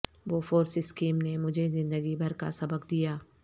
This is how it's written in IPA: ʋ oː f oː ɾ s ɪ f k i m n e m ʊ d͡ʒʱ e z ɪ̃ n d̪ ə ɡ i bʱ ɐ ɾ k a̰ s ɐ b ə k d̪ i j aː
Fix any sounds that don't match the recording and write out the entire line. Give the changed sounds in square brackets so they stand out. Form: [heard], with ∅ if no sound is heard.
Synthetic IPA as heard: ʋ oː f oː ɾ s ɪ [s] k [iː] m n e m ʊ d͡ʒʱ e z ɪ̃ n d̪ ə ɡ i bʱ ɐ ɾ k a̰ s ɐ b ə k d̪ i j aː